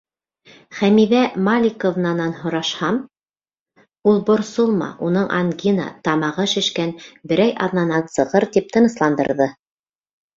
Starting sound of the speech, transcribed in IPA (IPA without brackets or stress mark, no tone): χ